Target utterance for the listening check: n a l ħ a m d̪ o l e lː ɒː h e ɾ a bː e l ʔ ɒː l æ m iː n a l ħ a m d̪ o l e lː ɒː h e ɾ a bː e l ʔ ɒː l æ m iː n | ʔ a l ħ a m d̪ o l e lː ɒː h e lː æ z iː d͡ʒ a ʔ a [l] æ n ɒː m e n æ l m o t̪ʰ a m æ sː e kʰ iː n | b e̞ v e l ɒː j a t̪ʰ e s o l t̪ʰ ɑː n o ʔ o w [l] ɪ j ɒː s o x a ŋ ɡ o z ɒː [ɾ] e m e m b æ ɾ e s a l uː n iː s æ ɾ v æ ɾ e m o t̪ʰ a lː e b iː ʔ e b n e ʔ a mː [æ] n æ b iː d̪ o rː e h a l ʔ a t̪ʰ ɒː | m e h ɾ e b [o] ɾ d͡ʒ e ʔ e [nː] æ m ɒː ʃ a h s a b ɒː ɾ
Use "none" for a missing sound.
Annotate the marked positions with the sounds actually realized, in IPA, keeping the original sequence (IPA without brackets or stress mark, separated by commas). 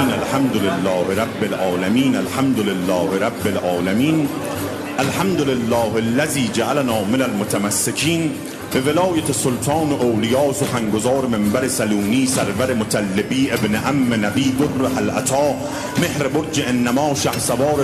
l, l, ɾ, e, o, nː